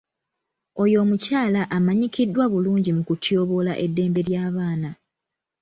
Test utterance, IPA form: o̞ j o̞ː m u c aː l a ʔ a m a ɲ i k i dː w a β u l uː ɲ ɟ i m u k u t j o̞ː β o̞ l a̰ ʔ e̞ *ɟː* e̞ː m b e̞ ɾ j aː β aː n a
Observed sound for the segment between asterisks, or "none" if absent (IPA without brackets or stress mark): dː